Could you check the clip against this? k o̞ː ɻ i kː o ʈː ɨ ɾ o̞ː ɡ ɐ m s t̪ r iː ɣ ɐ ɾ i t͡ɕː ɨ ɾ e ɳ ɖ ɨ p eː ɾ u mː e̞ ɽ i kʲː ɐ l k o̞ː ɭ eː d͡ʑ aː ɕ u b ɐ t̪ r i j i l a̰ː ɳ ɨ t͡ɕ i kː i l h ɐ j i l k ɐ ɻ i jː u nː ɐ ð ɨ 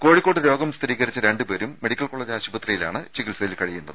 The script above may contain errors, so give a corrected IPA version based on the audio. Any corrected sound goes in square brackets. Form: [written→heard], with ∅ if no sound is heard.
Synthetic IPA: k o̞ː ɻ i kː o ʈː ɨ ɾ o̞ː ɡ ɐ m s t̪ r iː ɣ ɐ ɾ i t͡ɕː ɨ ɾ e ɳ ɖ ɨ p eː ɾ u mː e̞ ɽ i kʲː ɐ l k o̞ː ɭ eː d͡ʑ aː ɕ u b ɐ t̪ r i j i l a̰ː ɳ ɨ t͡ɕ i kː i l [h→s] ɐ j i l k ɐ ɻ i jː u nː ɐ ð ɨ